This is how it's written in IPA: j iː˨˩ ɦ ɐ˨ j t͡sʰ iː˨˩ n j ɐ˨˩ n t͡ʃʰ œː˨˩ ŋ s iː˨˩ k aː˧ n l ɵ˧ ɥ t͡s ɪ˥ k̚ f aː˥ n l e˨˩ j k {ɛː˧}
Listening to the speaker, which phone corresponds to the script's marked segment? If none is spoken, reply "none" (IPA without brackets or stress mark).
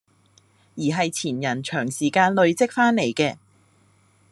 ɛː˧